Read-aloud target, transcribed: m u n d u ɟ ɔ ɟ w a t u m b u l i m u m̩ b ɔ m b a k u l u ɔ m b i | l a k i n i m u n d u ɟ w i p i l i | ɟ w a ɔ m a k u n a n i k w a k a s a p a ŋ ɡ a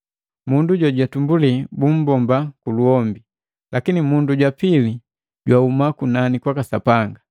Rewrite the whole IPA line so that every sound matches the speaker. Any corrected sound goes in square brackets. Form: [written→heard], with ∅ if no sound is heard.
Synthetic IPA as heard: m u n d u ɟ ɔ ɟ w a t u m b u l i [m→b] u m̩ b ɔ m b a k u l u ɔ m b i | l a k i n i m u n d u ɟ w [i→a] p i l i | ɟ w a [ɔ→u] m a k u n a n i k w a k a s a p a ŋ ɡ a

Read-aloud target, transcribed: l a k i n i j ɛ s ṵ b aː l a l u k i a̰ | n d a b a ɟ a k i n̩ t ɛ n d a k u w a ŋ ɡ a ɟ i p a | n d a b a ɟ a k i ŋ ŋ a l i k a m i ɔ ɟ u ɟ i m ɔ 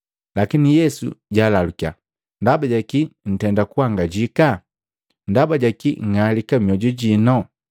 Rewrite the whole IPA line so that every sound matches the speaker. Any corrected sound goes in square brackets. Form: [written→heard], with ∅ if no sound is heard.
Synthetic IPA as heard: l a k i n i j ɛ s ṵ [b→ɟ] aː l a l u k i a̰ | n d a b a ɟ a k i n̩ t ɛ n d a k u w a ŋ ɡ a ɟ i [p→k] a | n d a b a ɟ a k i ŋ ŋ a l i k a m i ɔ ɟ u ɟ i [m→n] ɔ

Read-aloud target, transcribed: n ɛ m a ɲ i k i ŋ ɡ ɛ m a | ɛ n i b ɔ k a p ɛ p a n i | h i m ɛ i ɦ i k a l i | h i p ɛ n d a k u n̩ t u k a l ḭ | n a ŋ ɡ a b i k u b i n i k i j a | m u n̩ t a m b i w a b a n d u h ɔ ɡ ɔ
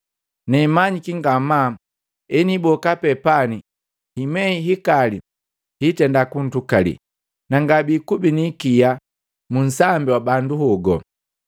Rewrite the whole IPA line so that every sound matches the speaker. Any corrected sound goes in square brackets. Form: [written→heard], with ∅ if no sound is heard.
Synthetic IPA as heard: n ɛ m a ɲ i k i ŋ ɡ [ɛ→a] m a | ɛ n i b ɔ k a p ɛ p a n i | h i m ɛ i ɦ i k a l i | h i [p→t] ɛ n d a k u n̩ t u k a l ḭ | n a ŋ ɡ a b i k u b i n i k i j a | m u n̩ [t→s] a m b i w a b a n d u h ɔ ɡ ɔ

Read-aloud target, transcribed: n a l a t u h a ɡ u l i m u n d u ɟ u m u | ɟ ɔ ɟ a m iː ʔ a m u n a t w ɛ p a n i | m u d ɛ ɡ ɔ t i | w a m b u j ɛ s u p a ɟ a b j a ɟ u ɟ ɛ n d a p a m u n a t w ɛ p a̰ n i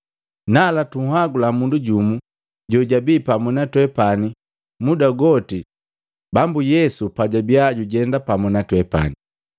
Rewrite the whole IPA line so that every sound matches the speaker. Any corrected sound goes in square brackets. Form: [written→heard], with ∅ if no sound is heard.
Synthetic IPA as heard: n a l a t u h a ɡ u l [i→a] m u n d u ɟ u m u | ɟ ɔ ɟ a [m→b] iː [ʔ→p] a m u n a t w ɛ p a n i | m u d [ɛ→a] ɡ ɔ t i | [w→b] a m b u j ɛ s u p a ɟ a b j a ɟ u ɟ ɛ n d a p a m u n a t w ɛ p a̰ n i

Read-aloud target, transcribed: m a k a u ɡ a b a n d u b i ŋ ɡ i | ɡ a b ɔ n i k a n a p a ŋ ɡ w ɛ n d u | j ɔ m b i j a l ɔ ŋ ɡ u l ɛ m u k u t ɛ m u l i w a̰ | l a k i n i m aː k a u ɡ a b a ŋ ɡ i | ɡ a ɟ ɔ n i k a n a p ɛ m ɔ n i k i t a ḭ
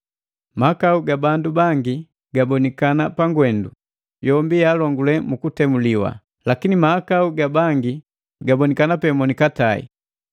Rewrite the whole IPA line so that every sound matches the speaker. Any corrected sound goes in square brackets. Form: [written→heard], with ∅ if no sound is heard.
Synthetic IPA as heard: m a k a u ɡ a b a n d u b [i→a] ŋ ɡ i | ɡ a b ɔ n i k a n a p a ŋ ɡ w ɛ n d u | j ɔ m b i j a l ɔ ŋ ɡ u l ɛ m u k u t ɛ m u l i w a̰ | l a k i n i m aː k a u ɡ a b a ŋ ɡ i | ɡ a [ɟ→b] ɔ n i k a n a p ɛ m ɔ n i k [i→a] t a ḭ

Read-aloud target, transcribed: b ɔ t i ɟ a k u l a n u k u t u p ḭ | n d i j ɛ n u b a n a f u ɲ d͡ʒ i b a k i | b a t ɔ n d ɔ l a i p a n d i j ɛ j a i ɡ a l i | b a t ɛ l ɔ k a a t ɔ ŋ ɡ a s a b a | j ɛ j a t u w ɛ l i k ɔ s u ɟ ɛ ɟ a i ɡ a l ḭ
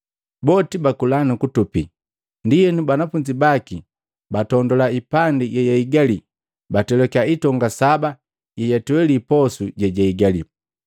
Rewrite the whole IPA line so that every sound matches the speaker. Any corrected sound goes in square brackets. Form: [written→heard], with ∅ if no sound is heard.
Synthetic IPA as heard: b ɔ t i [ɟ→b] a k u l a n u k u t u p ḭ | n d i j ɛ n u b a n a f u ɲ d͡ʒ i b a k i | b a t ɔ n d ɔ l a i p a n d i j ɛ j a i ɡ a l i | b a t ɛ l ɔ k a [a→i] t ɔ ŋ ɡ a s a b a | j ɛ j a t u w ɛ l i [k→p] ɔ s u ɟ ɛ ɟ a i ɡ a l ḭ

